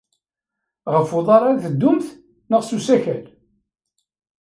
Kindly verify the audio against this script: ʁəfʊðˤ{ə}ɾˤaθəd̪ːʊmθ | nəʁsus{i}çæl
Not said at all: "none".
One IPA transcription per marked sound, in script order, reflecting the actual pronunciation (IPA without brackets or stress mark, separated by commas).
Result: ɑ, æ